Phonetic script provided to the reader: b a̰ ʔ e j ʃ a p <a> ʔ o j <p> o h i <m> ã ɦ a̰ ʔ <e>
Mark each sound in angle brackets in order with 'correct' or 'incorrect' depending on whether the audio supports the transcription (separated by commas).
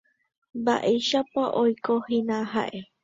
correct, incorrect, incorrect, correct